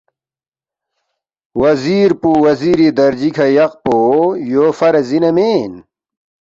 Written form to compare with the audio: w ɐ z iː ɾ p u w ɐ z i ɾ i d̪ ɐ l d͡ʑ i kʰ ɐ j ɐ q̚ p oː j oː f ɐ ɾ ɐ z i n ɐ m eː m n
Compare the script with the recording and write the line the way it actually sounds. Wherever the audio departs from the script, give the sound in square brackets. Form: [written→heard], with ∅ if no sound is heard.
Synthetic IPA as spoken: w ɐ z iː ɾ p u w ɐ z i ɾ i d̪ ɐ [l→ɾ] d͡ʑ i kʰ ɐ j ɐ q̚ p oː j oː f ɐ ɾ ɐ z i n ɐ m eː [m→∅] n

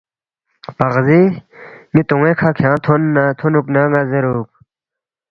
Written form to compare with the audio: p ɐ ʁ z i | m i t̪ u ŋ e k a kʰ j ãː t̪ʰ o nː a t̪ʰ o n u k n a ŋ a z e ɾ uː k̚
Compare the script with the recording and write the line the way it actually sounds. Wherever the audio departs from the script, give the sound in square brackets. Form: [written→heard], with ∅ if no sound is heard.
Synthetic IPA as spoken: p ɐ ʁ z i | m i t̪ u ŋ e [k→kʰ] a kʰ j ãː t̪ʰ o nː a t̪ʰ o n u k n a ŋ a z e ɾ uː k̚

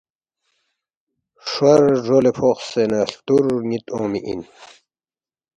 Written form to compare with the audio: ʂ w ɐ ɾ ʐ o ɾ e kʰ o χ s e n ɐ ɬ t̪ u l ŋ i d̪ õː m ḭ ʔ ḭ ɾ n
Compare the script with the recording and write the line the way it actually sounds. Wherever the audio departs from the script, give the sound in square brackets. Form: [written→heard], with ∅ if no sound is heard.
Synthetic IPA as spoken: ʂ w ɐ ɾ ʐ o [ɾ→l] e [kʰ→pʰ] o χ s e n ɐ ɬ t̪ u [l→ɾ] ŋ i [d̪→t̪] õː m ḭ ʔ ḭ [ɾ→∅] n

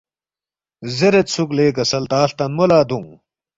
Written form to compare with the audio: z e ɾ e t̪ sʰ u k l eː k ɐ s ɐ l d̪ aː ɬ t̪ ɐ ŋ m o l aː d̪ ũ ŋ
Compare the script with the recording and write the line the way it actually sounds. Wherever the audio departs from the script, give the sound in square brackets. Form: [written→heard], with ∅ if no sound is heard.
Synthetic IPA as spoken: z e ɾ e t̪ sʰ u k l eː k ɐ s ɐ l [d̪→t̪] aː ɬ t̪ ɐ [ŋ→n] m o l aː d̪ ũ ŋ

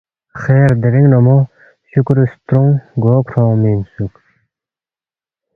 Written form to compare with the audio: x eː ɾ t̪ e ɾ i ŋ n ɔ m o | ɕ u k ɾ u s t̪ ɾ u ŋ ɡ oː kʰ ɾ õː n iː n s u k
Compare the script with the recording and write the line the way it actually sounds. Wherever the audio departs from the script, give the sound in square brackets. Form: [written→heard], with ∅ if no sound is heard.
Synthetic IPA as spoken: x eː ɾ [t̪→d̪] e ɾ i ŋ n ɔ m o | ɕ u k ɾ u s t̪ ɾ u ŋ ɡ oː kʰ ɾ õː [n→m] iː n s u k

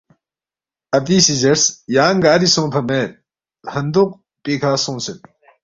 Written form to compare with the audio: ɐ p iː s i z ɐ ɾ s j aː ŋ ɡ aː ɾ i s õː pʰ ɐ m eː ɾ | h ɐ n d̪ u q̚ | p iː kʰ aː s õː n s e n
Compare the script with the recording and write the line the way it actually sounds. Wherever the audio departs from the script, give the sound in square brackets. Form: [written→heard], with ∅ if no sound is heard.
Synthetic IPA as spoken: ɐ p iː s i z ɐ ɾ s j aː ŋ ɡ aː ɾ i s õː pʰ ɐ m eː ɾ | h ɐ n d̪ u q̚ | p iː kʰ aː s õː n s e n

